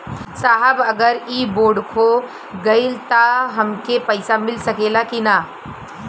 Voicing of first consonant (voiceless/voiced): voiceless